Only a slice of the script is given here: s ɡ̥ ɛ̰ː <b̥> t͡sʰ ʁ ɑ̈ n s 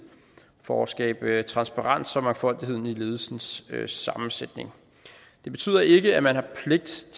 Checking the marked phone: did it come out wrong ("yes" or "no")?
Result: no